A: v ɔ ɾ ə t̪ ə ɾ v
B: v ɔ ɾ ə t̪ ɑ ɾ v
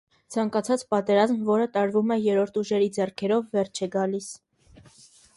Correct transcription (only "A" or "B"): B